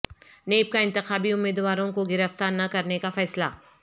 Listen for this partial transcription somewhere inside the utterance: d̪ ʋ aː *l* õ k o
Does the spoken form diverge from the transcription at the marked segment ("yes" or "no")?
yes